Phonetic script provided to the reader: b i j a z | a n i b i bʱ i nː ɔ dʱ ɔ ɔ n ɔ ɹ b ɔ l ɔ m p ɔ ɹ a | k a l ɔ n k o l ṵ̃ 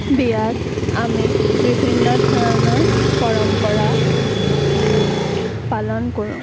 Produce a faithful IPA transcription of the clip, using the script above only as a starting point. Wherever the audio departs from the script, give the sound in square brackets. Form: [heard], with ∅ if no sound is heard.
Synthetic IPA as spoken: b i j a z | a [m] i b i bʱ i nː ɔ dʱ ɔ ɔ n ɔ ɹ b ɔ [ɹ] ɔ m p ɔ ɹ a | [p] a l ɔ n k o [ɹ] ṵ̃